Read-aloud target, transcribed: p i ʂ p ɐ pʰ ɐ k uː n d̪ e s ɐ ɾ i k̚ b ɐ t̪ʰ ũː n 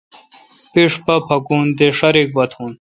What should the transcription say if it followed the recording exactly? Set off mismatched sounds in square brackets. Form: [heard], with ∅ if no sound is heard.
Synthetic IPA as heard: p i ʂ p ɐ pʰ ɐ k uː n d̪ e [ʂ] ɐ ɾ i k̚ b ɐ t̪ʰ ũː n